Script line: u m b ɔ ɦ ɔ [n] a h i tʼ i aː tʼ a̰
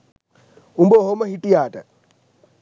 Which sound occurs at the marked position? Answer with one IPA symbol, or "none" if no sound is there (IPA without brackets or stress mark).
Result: m